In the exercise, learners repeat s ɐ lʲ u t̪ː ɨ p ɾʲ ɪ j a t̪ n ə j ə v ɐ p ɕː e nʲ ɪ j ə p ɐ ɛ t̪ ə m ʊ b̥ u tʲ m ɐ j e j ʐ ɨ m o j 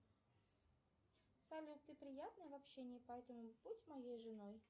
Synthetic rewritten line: s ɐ lʲ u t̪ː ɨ p ɾʲ ɪ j a t̪ n ə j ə v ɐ p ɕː e nʲ ɪ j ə p ɐ ɛ t̪ ə m ʊ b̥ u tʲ m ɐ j e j ʐ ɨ n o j